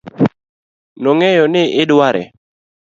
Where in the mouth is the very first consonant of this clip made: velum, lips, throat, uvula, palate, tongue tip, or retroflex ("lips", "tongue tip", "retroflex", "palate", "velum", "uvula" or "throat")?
tongue tip